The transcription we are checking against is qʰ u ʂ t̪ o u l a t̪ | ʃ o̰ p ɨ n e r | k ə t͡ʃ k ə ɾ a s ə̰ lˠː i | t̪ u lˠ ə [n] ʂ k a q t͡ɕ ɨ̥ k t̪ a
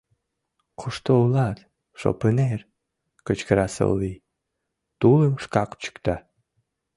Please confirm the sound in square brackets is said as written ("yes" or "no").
no